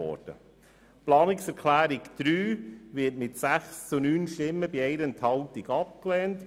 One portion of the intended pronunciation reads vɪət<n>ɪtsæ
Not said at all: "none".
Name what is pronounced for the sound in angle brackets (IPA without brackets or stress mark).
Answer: m